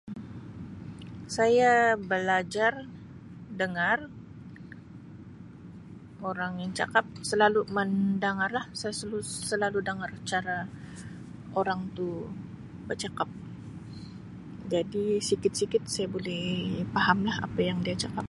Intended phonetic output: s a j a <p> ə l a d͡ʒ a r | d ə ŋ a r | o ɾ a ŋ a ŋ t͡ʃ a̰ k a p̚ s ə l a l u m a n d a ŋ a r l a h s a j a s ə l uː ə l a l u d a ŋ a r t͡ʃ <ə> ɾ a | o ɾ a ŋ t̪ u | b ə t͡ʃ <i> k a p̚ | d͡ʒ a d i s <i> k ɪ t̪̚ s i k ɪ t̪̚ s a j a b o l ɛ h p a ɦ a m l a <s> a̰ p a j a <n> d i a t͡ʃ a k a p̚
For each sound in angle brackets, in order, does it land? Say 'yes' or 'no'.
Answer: no, no, no, yes, no, no

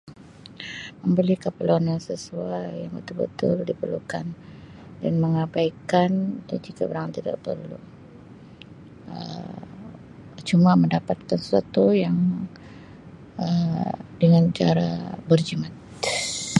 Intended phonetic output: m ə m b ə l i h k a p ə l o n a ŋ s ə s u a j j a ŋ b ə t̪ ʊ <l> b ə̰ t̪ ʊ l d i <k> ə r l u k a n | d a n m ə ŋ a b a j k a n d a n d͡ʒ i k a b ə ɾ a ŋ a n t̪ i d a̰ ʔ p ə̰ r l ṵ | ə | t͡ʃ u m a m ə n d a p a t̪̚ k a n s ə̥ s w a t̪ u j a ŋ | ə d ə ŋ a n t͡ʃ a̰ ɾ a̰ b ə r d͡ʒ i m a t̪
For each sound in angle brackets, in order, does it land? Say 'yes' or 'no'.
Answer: yes, no

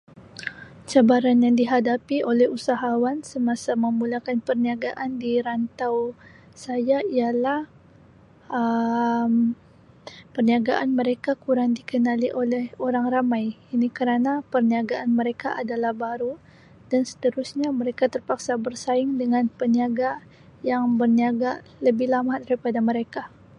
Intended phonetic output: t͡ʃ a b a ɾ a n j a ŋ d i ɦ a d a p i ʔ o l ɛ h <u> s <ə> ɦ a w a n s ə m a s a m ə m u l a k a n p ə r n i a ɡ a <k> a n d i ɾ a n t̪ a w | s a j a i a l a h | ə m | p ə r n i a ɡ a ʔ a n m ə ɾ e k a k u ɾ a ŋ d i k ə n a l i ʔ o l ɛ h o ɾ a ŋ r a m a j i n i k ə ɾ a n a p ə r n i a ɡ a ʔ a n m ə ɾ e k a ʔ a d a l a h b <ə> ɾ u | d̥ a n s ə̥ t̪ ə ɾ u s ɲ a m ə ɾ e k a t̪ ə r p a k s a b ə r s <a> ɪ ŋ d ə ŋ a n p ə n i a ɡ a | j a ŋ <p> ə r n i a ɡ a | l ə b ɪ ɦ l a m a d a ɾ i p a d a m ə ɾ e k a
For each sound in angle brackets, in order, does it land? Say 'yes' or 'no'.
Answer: yes, no, no, no, yes, no

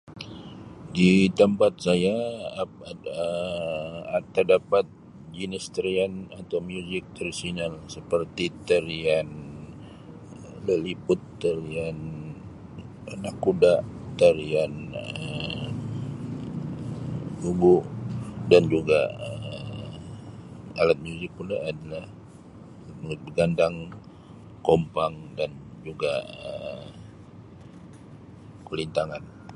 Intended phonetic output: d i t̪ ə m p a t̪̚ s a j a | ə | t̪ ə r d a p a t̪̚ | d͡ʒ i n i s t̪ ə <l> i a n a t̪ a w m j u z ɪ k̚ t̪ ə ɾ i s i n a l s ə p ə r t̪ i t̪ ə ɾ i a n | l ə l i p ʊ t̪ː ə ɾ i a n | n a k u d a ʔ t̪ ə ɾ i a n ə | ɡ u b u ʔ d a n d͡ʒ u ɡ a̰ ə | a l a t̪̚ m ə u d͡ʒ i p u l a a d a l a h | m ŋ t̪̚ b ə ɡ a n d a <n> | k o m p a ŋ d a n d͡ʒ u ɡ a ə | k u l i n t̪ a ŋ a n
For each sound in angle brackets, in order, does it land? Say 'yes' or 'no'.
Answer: no, no

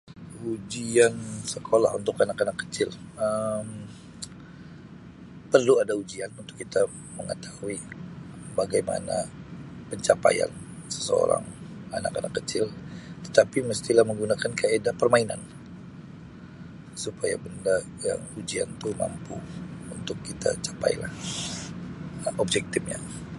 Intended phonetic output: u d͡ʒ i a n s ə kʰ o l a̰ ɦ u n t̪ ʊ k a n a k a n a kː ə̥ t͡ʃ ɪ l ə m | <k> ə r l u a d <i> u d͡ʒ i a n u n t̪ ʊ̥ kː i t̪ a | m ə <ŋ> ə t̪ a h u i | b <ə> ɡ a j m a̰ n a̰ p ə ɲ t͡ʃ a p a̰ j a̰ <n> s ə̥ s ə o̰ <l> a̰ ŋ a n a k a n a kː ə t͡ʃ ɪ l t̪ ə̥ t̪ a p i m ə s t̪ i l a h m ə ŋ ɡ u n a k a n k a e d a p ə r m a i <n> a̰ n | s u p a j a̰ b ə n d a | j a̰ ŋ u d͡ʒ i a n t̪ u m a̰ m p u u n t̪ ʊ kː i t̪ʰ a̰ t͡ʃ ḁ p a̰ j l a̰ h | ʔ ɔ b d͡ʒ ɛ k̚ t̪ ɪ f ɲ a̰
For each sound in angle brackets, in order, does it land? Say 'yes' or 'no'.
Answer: no, no, yes, no, yes, no, yes

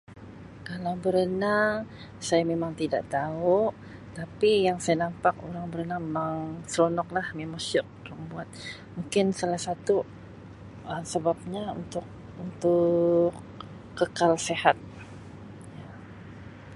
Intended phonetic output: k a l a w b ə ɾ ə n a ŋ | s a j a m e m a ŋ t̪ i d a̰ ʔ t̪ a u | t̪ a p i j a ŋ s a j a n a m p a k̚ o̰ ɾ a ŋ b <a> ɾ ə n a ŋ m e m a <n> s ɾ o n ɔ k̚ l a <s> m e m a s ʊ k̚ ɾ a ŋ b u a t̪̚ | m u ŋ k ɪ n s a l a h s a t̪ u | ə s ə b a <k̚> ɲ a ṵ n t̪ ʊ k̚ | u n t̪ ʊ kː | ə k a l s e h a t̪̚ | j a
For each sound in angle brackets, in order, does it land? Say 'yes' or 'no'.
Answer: no, no, no, no

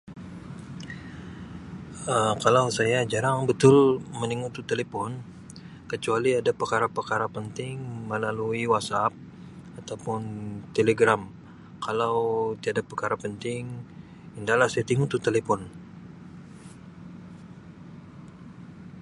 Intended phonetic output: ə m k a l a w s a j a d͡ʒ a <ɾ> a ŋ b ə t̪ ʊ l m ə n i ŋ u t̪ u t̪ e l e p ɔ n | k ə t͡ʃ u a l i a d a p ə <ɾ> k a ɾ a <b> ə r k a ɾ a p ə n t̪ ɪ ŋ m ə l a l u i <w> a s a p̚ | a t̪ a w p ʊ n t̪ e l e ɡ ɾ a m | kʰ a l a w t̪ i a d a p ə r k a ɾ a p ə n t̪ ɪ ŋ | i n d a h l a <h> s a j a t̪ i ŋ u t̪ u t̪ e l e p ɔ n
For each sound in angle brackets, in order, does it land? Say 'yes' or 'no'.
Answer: yes, no, no, yes, yes

